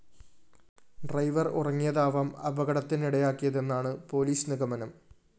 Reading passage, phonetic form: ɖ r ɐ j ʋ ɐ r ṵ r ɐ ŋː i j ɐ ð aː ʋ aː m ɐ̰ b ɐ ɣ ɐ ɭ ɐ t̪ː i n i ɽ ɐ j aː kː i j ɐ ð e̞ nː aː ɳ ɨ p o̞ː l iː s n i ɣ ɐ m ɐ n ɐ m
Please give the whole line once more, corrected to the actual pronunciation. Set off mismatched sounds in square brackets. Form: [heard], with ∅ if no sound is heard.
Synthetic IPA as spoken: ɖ r ɐ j ʋ ɐ r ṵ r ɐ ŋː i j ɐ ð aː ʋ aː m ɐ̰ b ɐ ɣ ɐ [ɽ] ɐ t̪ː i n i ɽ ɐ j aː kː i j ɐ ð e̞ nː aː ɳ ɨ p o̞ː l iː s n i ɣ ɐ m ɐ n ɐ m